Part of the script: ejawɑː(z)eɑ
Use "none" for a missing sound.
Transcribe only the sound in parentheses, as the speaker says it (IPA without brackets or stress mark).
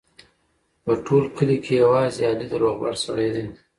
z